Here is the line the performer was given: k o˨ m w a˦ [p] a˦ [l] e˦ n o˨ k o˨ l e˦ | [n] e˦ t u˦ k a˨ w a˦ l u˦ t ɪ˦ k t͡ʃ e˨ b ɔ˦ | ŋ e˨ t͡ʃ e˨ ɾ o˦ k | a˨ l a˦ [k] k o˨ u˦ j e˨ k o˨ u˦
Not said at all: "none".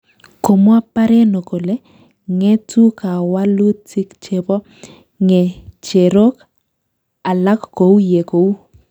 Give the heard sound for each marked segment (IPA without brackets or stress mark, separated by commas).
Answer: p, ɾ, ŋ, k